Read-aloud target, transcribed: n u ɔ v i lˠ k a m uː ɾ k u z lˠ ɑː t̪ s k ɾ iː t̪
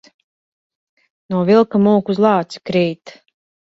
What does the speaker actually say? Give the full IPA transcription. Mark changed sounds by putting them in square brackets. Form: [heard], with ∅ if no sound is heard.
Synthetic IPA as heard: n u ɔ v i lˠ k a m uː [∅] k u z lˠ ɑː t̪ s k ɾ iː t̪